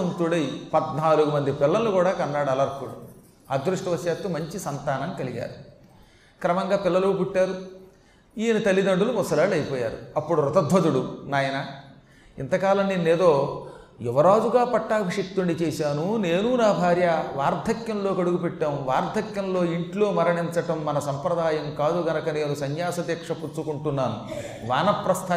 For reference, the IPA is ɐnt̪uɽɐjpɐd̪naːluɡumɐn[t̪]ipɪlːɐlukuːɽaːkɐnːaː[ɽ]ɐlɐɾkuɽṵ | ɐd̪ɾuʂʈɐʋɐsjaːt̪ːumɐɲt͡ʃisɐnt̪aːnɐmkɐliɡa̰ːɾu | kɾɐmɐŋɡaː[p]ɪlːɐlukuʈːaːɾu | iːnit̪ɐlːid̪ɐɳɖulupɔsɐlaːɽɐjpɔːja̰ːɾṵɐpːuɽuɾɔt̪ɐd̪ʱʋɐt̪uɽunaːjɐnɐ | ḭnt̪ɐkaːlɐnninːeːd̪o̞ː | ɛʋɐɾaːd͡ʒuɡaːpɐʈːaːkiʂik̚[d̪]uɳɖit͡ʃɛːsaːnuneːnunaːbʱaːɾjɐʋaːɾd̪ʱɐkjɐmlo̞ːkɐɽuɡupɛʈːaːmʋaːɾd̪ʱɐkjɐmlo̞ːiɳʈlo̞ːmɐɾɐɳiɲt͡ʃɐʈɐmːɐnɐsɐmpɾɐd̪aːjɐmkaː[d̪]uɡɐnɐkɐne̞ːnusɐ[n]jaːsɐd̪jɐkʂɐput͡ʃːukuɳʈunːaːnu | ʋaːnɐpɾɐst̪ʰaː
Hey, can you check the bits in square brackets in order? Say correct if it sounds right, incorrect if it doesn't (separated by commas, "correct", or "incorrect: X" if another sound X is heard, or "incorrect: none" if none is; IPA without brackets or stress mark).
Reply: incorrect: d̪, correct, correct, incorrect: t̪, correct, incorrect: ɲ